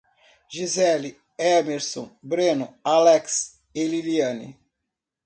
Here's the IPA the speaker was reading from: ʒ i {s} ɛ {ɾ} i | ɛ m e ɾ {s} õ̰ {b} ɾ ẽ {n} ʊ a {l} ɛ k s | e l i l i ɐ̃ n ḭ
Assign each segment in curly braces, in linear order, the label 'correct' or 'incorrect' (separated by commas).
incorrect, incorrect, correct, correct, correct, correct